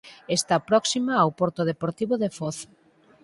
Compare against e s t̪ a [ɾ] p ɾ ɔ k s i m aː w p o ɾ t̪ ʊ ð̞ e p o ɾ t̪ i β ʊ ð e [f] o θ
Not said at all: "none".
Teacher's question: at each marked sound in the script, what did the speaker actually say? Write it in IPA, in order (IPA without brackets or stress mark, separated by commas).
none, f